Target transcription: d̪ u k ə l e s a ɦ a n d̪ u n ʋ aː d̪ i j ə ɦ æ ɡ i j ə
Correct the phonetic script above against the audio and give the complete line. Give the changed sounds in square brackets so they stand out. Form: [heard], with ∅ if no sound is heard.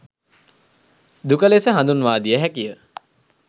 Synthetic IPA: d̪ u k ə l e s [ə] ɦ a n d̪ u n ʋ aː d̪ i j ə ɦ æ [k] i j ə